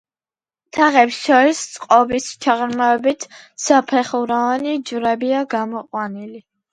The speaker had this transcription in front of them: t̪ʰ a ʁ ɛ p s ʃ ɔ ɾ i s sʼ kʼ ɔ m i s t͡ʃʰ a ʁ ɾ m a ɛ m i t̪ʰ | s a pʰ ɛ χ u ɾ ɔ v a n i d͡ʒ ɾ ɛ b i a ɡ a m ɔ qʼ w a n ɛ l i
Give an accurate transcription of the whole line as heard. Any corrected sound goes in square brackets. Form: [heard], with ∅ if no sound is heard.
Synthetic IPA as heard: t̪ʰ a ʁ ɛ p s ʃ ɔ ɾ i s sʼ [qʼ] ɔ [b] i s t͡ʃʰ a ʁ ɾ m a ɛ [b] i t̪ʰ | s a pʰ ɛ χ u ɾ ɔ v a n i d͡ʒ ɾ ɛ b i a ɡ a m ɔ qʼ w a n [i] l i